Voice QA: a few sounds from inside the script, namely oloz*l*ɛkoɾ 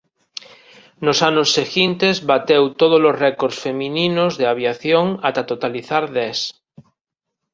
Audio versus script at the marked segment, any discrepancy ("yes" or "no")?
yes